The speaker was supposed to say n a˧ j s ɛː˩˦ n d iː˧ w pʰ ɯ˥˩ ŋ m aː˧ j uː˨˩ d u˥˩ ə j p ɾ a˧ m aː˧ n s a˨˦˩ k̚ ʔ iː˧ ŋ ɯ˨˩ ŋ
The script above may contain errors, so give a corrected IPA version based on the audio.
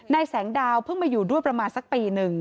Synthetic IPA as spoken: n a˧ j s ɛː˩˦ ŋ d aː˧ w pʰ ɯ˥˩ ŋ m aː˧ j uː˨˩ d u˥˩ ə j p ɾ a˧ m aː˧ n s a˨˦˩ k̚ p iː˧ n ɯ˨˩ ŋ